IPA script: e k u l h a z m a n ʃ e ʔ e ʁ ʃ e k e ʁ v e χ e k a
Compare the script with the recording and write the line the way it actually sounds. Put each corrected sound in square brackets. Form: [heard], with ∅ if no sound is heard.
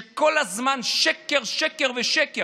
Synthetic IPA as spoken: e k [o] l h a z m a n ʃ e [k] e ʁ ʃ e k e ʁ v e [ʃ] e k [e]